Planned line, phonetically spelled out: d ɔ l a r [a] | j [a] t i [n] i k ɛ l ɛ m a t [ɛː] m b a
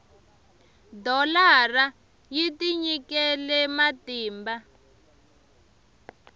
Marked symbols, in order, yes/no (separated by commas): yes, no, no, no